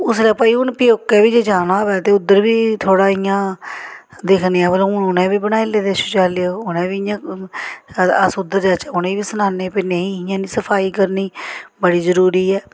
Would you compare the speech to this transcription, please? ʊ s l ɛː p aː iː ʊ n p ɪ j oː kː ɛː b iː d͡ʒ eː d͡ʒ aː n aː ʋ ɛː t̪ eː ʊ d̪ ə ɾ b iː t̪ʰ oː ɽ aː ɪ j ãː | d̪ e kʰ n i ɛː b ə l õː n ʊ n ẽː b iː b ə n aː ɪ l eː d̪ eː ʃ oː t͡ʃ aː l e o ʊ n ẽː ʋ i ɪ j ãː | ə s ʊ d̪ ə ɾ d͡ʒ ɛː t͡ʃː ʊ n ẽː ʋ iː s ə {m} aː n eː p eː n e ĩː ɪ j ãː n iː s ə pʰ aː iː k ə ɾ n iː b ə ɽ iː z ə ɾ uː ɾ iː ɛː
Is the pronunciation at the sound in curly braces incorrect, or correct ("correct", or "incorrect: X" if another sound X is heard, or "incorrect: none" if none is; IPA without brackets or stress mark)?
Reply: incorrect: n